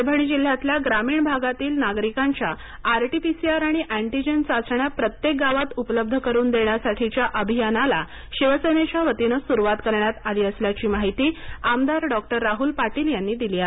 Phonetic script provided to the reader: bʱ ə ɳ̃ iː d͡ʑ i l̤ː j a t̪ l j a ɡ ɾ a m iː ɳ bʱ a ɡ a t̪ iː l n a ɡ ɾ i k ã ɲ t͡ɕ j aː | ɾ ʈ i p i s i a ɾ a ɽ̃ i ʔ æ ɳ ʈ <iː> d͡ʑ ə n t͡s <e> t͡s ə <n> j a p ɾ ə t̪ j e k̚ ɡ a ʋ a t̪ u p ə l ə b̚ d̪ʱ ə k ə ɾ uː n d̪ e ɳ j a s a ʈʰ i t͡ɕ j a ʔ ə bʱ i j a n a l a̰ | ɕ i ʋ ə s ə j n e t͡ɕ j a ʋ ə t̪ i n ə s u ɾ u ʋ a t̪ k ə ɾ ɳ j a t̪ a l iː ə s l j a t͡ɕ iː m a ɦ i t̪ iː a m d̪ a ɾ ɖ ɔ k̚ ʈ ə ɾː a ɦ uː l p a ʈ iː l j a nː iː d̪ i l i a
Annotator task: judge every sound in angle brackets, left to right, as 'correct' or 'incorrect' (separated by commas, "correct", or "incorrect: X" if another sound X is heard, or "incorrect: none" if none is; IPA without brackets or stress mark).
incorrect: i, incorrect: a, incorrect: ɳ